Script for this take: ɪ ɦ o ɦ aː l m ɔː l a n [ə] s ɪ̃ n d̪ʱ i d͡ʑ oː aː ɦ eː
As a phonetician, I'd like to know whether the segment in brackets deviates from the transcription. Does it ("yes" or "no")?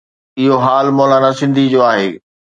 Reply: yes